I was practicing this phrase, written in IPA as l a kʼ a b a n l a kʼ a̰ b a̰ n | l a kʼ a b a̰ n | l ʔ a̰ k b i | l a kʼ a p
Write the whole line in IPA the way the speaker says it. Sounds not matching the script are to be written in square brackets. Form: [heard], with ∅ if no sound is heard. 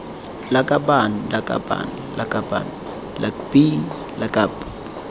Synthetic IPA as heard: l a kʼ a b a n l a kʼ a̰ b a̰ n | l a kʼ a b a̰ n | l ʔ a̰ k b i | l a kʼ a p